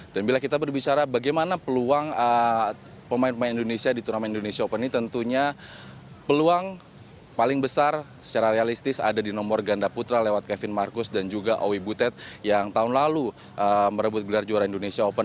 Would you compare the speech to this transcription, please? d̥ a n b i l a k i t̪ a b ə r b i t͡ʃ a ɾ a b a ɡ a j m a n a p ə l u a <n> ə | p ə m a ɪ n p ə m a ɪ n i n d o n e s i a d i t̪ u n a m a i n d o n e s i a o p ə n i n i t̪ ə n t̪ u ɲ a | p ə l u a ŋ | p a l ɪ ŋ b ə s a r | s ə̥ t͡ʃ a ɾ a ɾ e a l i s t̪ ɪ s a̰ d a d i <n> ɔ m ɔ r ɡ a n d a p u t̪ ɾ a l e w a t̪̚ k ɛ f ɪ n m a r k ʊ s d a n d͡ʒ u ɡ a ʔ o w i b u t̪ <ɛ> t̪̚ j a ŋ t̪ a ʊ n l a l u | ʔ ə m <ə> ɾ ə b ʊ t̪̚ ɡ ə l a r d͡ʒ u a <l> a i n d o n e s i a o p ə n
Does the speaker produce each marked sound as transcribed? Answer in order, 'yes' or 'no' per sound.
no, yes, yes, yes, no

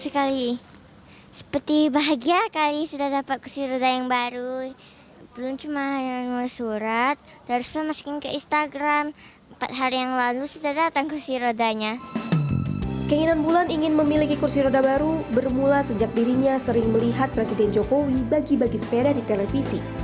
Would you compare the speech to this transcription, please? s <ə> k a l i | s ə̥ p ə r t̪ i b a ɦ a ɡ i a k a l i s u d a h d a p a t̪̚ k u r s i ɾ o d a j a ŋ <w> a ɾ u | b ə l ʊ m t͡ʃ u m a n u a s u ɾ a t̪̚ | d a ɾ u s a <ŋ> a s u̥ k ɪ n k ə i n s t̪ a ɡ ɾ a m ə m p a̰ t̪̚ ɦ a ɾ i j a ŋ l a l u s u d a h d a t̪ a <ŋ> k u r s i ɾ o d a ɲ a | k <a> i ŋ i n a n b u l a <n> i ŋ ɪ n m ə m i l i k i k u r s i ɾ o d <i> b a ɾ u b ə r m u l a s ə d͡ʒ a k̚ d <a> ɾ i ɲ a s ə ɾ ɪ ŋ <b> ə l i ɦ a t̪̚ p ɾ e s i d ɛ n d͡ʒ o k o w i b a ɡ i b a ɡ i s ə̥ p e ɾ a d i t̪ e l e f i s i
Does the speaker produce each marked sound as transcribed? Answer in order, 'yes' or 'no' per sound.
yes, no, no, yes, no, yes, no, no, no

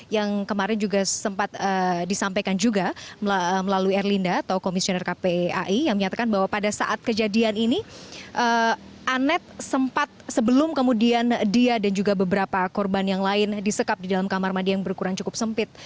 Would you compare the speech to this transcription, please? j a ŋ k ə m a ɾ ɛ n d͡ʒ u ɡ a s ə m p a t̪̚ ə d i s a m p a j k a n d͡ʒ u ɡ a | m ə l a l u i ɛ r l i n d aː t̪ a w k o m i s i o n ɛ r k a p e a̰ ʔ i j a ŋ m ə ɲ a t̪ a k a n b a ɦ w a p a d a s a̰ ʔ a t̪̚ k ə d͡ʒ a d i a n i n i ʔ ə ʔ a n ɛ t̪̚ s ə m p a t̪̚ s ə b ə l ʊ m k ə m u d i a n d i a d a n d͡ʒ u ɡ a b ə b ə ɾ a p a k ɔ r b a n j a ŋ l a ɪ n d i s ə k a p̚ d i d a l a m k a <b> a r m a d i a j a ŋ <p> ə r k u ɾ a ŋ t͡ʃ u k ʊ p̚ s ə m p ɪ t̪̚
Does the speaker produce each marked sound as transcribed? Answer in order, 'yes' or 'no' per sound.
no, no

